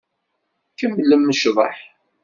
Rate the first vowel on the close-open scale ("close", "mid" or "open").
mid